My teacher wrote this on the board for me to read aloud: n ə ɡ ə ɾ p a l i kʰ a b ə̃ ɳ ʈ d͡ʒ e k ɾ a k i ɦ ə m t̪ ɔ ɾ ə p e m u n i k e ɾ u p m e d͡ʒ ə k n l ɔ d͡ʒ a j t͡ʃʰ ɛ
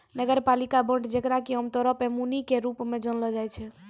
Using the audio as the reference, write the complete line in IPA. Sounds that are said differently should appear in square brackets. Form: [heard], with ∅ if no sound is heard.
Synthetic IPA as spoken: n ə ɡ ə ɾ p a l i [k] a b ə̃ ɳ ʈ d͡ʒ e k ɾ a k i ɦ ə m t̪ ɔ ɾ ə p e m u n i k e ɾ u p m e d͡ʒ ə [∅] n l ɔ d͡ʒ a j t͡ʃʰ ɛ